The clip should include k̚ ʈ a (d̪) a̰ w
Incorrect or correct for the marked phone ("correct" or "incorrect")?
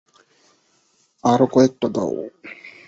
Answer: correct